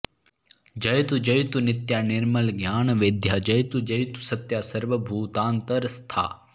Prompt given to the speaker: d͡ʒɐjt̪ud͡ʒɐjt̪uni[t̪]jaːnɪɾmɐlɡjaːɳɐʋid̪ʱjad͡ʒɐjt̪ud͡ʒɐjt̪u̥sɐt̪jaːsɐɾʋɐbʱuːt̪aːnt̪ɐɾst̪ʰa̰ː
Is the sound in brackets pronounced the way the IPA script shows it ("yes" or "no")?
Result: yes